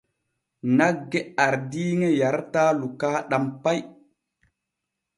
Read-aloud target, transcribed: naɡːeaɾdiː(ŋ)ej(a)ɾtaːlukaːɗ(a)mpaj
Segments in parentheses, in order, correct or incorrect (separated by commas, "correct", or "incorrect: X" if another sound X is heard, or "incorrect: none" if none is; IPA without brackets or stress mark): correct, correct, correct